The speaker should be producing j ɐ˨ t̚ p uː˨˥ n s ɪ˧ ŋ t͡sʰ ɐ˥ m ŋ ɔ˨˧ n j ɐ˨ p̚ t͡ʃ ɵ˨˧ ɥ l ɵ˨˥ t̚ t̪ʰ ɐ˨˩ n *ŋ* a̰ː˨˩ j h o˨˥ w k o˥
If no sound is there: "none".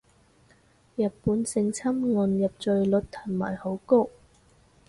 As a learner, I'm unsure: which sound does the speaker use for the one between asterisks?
m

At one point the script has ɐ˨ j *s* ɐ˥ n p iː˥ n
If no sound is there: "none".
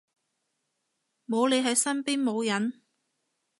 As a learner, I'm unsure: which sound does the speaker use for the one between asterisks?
s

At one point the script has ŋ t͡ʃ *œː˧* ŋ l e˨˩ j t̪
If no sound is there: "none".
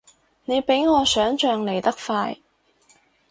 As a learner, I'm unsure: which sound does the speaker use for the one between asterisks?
œː˧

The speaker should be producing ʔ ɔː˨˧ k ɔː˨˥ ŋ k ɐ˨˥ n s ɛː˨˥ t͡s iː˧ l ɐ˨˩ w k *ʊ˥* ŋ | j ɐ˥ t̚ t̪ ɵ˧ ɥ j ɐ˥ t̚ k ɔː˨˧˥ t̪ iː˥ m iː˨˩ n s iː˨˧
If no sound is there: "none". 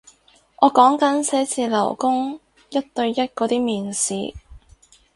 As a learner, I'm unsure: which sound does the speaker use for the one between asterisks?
ʊ˥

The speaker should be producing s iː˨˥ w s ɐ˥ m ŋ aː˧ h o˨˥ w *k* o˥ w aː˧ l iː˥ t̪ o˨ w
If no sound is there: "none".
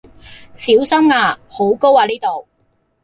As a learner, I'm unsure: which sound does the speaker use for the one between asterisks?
k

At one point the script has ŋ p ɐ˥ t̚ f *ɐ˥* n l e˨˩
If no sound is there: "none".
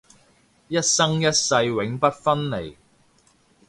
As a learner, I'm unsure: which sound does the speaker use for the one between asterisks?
ɐ˥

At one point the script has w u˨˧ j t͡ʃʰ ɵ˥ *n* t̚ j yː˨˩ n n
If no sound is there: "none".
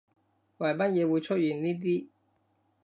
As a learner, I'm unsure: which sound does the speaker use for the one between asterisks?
none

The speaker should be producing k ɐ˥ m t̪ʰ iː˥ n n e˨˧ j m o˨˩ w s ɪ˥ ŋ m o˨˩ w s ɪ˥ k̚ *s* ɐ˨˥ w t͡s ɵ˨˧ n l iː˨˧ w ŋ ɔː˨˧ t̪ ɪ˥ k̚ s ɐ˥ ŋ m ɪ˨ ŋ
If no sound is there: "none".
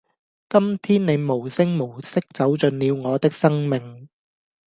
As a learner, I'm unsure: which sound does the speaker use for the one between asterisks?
t͡s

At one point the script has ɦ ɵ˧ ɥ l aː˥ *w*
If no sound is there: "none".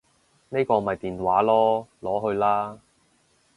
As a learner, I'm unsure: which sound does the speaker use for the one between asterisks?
none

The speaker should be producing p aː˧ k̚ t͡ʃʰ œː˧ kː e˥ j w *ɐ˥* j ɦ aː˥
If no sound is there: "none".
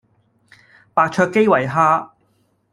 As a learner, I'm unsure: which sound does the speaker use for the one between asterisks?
ɐ˨˩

